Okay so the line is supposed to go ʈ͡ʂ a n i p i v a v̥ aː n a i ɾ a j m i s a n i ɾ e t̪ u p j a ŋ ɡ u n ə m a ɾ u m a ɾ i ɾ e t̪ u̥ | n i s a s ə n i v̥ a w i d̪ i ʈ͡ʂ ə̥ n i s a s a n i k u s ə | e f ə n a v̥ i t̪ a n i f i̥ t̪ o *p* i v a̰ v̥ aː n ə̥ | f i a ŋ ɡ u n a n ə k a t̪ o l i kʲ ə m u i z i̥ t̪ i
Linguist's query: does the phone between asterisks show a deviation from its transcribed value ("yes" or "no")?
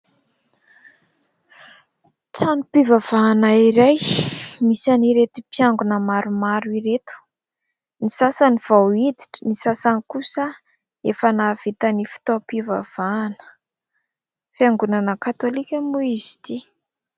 no